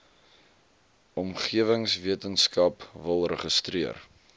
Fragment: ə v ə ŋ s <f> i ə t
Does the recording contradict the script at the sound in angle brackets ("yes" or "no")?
yes